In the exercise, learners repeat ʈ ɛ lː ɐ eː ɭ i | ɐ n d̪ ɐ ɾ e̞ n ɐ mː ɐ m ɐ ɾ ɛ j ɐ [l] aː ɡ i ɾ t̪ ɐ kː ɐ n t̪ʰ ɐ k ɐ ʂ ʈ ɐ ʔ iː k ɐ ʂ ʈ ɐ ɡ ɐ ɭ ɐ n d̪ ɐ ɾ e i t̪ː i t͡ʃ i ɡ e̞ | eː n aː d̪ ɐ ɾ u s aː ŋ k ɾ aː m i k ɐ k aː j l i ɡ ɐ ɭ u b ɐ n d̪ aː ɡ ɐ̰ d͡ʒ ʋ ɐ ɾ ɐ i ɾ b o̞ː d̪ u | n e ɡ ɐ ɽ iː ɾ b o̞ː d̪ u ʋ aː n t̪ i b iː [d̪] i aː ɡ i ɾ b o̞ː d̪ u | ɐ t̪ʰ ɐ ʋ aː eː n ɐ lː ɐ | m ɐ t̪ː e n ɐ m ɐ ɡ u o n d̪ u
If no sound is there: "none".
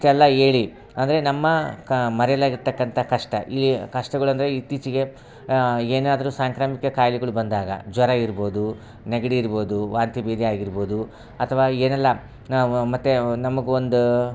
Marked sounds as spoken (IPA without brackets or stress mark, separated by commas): l, d̪